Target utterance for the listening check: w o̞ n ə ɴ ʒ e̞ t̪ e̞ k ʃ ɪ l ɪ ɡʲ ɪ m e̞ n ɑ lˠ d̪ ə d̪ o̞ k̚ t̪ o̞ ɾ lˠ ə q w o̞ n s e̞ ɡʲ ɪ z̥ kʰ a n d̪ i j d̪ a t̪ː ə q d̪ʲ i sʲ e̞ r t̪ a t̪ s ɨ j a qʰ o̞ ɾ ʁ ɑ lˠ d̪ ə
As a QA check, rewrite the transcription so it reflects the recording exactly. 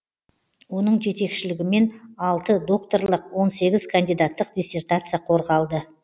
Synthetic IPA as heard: w o̞ n ə ɴ ʒ e̞ t̪ e̞ k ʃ ɪ l ɪ ɡʲ ɪ m e̞ n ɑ lˠ t̪ ə d̪ o̞ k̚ t̪ o̞ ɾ lˠ ə q w o̞ n s e̞ ɡʲ ɪ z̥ kʰ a n d̪ i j d̪ a t̪ː ə q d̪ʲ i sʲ e̞ r t̪ a t̪ s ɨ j a qʰ o̞ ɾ ʁ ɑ lˠ d̪ ə